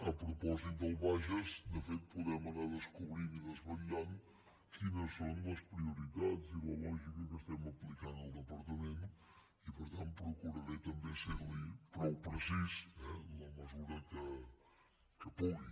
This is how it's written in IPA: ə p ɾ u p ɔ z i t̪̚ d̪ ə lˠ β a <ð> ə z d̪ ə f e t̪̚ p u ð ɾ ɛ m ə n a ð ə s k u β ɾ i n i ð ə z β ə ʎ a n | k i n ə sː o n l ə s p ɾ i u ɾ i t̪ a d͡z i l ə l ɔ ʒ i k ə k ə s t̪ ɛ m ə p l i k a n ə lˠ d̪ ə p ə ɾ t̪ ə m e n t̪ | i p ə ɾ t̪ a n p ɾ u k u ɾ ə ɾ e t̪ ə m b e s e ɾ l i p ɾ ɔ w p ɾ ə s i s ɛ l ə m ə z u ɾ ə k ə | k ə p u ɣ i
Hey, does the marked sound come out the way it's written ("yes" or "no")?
no